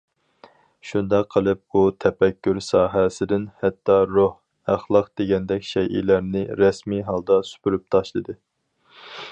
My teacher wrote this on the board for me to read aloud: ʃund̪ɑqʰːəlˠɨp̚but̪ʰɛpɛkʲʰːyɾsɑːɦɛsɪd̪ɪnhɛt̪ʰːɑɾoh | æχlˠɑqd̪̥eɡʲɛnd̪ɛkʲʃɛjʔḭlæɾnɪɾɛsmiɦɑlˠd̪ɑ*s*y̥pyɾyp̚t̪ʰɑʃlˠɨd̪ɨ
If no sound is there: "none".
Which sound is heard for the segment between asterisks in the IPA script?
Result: s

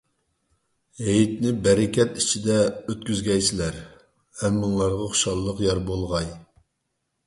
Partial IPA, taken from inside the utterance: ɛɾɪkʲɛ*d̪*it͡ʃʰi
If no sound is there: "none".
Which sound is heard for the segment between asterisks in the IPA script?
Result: t̪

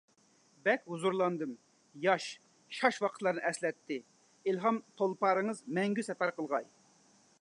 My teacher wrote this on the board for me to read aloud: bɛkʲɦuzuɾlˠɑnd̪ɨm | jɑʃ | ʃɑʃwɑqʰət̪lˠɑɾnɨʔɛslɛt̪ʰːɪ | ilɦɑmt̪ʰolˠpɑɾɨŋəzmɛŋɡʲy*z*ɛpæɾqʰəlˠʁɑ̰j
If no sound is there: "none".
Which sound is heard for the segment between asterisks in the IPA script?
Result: s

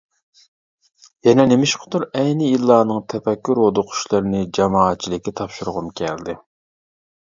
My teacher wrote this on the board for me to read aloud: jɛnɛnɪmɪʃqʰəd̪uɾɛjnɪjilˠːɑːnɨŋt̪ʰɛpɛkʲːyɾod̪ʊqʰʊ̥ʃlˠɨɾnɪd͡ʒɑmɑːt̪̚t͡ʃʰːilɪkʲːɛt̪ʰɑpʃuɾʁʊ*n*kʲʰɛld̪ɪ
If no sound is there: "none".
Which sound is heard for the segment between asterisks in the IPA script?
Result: m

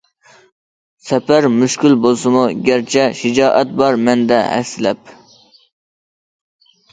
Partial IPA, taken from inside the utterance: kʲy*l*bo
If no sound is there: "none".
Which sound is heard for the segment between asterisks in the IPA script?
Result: l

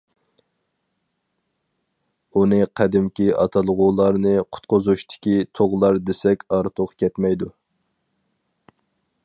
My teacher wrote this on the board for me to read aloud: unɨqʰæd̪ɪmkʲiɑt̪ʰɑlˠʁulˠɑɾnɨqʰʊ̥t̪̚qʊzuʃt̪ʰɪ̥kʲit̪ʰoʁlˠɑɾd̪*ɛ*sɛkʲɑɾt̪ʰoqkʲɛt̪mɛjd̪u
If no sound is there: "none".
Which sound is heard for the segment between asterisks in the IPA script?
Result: e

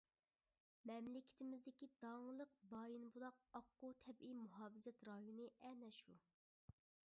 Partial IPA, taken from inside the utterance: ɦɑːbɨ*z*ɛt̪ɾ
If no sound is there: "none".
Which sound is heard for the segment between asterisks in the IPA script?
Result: z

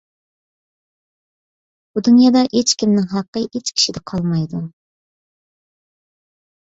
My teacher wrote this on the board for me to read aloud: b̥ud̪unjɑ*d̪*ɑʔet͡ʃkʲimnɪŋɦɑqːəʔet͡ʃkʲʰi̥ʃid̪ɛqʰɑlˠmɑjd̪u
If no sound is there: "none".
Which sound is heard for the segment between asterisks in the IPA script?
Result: d̪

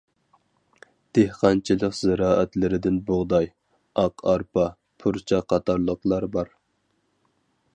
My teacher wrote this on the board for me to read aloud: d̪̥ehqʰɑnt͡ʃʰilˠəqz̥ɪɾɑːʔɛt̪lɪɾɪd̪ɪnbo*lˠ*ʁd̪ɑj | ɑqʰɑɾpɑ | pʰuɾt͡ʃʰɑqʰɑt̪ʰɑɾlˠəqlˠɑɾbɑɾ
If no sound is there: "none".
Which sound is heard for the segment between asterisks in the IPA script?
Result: none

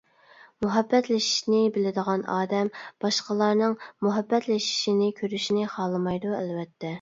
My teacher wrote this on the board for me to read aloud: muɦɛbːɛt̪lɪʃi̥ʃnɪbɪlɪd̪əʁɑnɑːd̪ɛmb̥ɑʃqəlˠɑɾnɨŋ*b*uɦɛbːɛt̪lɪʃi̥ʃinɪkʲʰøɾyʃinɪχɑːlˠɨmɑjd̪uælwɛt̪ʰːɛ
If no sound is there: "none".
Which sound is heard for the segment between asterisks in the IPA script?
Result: m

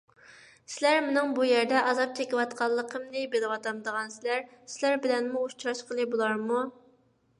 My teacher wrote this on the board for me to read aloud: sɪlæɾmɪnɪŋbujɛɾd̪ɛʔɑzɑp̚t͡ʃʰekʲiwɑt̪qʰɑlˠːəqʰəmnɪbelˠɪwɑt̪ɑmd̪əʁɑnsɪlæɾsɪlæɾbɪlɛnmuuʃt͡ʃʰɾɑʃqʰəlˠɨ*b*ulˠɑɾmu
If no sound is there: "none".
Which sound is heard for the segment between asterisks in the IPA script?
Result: b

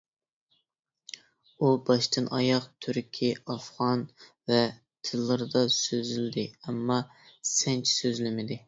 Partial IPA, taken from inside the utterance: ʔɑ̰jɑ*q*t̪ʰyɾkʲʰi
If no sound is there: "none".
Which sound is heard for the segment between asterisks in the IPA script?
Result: q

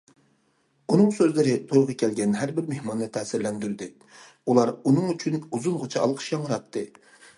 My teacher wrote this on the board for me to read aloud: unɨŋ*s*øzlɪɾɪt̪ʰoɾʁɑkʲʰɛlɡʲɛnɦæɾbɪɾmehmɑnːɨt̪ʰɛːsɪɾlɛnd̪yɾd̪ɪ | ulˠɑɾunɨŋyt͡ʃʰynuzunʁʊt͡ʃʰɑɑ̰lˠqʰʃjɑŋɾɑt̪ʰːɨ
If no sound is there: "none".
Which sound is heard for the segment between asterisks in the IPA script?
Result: s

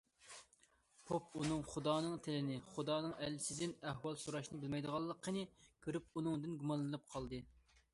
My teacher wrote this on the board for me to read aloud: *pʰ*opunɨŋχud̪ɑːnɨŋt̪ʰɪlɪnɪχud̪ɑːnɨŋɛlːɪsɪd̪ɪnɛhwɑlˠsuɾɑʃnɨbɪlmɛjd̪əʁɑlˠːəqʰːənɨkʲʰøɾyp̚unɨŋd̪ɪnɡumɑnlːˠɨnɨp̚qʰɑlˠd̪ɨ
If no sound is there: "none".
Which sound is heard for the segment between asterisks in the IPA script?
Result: pʰ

